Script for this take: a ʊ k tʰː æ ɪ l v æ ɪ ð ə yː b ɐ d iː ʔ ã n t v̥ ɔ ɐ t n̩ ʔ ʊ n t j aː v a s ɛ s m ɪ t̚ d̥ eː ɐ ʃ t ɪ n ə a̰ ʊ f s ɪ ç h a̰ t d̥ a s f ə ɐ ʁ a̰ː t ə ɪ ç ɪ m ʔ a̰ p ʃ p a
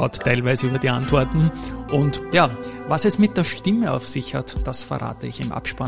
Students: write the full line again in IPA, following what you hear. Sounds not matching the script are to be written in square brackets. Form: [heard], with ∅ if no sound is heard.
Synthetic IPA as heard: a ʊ [t] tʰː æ ɪ l v æ ɪ [z] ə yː b ɐ d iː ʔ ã n t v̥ ɔ ɐ t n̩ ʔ ʊ n t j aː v a s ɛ s m ɪ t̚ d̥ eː ɐ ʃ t ɪ [m] ə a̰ ʊ f s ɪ ç h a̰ t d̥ a s f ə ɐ ʁ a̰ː t ə ɪ ç ɪ m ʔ a̰ p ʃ p a